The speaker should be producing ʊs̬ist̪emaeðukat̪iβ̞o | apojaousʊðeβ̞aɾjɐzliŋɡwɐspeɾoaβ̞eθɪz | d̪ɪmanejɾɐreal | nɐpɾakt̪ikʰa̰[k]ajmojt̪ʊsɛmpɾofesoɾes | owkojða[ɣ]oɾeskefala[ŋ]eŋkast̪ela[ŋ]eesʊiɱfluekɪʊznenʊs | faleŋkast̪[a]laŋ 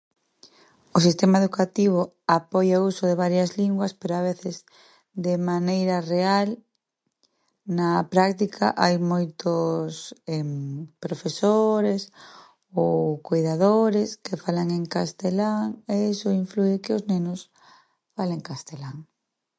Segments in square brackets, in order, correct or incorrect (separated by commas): incorrect, incorrect, correct, correct, incorrect